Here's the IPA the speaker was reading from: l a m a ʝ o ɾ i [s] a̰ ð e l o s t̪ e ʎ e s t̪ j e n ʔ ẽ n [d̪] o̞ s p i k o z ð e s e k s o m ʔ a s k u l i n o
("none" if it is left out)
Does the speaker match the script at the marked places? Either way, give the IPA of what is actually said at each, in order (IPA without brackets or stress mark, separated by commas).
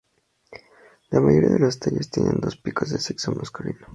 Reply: none, d̪